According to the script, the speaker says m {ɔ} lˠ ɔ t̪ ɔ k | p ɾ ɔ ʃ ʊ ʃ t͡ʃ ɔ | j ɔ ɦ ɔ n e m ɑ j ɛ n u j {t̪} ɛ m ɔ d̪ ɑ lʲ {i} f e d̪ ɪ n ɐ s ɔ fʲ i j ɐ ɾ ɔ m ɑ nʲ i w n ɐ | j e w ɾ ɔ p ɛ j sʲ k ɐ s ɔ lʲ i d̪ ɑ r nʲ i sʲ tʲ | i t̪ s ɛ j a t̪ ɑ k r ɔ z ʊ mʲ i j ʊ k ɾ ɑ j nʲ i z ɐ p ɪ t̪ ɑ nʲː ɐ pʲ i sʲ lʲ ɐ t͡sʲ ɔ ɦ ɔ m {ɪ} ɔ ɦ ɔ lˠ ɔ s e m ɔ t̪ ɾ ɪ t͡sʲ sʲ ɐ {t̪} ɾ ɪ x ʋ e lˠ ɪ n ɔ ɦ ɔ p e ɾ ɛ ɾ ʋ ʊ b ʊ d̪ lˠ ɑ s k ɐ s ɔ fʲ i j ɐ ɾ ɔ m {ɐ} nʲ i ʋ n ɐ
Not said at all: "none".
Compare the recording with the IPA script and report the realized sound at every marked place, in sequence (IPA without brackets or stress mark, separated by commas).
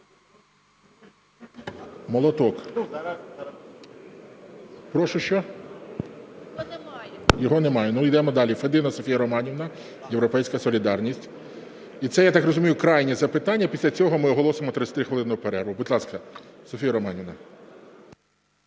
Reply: ɔ, d̪, i, ɪ, t̪, ɑ